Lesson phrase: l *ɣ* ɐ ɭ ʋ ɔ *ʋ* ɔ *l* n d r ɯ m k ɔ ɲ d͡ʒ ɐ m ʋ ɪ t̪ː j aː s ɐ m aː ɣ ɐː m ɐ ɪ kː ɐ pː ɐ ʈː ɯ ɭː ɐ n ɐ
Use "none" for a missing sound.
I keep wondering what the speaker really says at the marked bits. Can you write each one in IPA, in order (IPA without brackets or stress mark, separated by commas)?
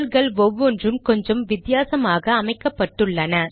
ɣ, ʋː, none